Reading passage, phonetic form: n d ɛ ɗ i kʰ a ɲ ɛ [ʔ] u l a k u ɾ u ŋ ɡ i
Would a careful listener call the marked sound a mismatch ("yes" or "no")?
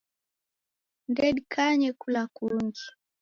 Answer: yes